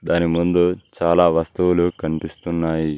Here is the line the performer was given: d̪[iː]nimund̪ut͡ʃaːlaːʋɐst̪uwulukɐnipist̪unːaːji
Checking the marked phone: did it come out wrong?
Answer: yes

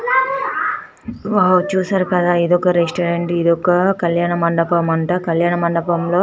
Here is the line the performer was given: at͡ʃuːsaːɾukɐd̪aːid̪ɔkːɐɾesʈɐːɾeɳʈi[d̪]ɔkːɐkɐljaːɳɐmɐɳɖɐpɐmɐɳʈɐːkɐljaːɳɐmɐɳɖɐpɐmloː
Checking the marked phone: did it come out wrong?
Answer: no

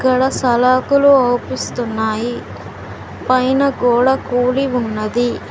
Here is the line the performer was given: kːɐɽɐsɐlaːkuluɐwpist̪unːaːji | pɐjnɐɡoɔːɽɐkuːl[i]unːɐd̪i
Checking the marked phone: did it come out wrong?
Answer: no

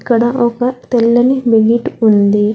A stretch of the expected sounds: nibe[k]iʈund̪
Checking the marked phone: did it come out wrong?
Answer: yes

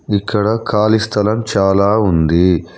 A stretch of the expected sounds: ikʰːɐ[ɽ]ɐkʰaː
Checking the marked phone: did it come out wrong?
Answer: no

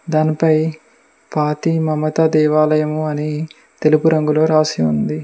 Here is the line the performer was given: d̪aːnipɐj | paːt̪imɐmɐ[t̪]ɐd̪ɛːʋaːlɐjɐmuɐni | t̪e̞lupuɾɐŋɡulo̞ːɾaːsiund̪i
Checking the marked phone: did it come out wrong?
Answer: no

